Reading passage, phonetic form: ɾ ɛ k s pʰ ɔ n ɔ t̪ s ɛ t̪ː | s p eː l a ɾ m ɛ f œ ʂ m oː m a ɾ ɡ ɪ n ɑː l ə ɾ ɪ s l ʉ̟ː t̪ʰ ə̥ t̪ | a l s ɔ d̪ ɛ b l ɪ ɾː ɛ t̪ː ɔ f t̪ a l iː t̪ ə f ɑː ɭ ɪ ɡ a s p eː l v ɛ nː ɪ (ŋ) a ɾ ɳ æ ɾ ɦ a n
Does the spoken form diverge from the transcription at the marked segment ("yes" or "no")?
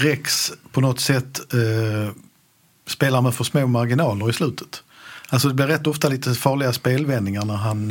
no